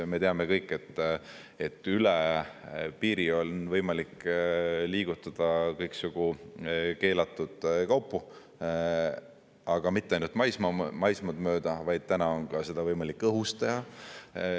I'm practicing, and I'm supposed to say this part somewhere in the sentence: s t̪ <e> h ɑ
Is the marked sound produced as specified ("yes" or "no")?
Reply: yes